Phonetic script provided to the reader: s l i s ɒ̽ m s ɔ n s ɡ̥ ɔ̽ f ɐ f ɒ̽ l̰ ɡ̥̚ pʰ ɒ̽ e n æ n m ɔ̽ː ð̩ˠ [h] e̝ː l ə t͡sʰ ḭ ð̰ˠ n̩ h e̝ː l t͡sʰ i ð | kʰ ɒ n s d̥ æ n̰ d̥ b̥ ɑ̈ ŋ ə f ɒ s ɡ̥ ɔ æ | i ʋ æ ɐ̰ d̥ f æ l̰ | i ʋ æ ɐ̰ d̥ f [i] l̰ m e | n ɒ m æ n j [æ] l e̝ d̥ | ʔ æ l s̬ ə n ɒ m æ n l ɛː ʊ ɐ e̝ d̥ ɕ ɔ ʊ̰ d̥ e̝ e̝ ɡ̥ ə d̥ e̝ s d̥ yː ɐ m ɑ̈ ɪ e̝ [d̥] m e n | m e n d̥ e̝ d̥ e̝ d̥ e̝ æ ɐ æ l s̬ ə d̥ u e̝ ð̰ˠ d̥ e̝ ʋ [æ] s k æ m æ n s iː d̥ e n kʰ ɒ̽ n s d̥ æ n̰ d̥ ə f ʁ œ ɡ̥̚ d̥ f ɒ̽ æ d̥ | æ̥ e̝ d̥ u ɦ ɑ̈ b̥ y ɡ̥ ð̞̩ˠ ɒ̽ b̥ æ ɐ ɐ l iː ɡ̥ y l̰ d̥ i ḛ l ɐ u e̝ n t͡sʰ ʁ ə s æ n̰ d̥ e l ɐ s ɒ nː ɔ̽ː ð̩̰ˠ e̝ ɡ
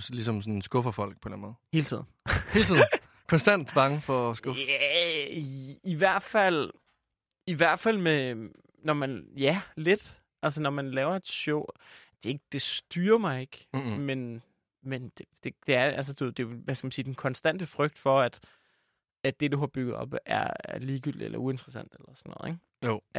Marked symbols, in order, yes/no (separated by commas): yes, no, yes, no, yes